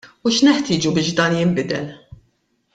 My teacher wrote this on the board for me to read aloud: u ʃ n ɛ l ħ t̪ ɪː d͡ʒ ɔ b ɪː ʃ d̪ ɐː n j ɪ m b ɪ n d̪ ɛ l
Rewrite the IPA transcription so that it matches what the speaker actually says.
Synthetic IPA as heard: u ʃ n ɛ ħ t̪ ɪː d͡ʒ u b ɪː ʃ d̪ ɐː n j ɪ m b ɪ d̪ ɛ l